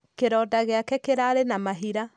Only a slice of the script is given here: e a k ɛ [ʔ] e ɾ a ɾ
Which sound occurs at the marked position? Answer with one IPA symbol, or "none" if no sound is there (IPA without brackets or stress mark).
k